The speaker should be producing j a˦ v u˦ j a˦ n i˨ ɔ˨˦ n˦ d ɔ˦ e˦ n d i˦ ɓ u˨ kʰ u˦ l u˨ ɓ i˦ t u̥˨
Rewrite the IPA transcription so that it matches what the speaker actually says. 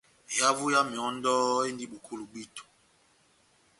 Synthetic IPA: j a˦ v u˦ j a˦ m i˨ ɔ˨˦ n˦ d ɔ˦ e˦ n d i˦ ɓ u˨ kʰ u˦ l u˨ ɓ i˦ t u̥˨

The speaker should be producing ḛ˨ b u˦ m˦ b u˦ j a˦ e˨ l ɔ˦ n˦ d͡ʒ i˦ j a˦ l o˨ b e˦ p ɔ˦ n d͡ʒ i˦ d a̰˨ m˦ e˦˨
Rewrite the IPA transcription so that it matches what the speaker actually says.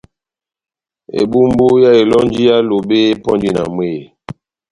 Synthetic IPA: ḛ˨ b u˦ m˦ b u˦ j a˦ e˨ l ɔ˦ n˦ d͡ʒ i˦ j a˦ l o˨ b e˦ p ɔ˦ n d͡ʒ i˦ n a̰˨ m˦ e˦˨

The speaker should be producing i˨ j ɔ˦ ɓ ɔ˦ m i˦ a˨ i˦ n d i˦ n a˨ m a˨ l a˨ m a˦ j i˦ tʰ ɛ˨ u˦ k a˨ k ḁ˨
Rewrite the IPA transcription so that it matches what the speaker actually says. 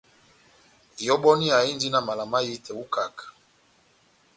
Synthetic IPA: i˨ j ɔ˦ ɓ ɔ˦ n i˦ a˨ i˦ n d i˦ n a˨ m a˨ l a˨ m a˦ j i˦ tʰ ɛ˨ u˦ k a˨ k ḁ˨

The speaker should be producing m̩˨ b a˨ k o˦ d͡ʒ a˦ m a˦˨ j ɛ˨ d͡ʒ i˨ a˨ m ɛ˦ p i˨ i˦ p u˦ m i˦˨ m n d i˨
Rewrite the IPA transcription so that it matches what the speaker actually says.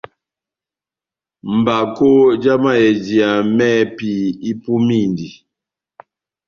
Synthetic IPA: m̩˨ b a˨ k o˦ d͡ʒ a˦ m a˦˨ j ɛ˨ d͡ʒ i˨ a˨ m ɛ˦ p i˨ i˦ p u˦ m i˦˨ n d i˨

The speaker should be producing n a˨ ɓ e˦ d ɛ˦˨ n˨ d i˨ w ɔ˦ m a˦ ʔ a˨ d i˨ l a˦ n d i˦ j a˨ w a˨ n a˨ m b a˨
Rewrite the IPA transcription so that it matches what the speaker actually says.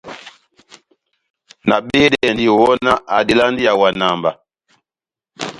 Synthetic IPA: n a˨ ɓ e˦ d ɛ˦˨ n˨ d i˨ w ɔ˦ n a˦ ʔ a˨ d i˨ l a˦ n d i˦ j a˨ w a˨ n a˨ m b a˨

